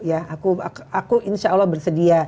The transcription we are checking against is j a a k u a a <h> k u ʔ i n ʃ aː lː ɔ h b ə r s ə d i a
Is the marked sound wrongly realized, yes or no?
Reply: yes